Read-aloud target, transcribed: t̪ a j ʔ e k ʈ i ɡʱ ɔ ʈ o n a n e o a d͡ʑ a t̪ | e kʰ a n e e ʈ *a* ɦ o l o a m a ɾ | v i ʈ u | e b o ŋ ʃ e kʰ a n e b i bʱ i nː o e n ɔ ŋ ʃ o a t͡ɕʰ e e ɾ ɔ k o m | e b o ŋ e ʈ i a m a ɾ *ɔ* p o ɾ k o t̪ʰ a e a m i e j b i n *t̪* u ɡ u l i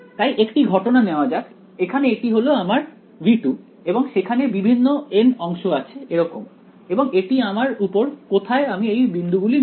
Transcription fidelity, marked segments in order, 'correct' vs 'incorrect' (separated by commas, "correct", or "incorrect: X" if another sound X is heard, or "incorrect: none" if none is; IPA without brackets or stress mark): incorrect: i, incorrect: u, incorrect: d̪